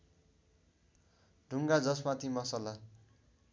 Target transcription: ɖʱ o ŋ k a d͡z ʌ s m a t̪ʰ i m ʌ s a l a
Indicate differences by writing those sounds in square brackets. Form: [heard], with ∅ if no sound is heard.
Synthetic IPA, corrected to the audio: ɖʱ [u] ŋ [ɡ] a d͡z ʌ s m a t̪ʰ i m ʌ s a l a